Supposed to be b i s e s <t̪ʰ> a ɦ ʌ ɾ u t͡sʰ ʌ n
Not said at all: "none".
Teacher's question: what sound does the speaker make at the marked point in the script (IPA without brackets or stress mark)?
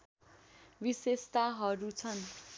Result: t̪